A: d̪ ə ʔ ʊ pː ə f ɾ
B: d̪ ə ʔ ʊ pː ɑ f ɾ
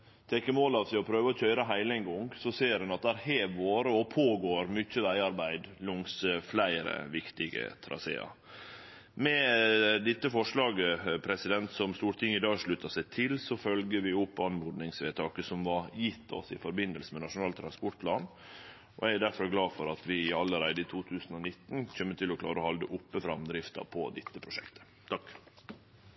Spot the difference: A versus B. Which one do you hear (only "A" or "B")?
A